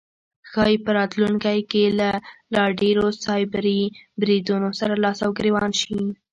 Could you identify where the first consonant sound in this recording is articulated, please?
velar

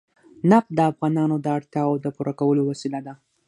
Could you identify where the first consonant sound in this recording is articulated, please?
alveolar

